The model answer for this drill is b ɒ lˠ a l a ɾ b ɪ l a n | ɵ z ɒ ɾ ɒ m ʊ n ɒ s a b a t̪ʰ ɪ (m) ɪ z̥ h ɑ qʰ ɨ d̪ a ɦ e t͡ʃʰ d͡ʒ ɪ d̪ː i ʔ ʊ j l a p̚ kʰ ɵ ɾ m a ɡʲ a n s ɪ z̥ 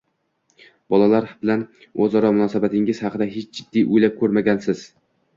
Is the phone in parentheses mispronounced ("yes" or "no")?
yes